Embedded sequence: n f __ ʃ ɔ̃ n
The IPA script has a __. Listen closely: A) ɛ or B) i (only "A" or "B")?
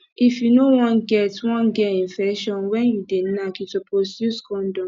A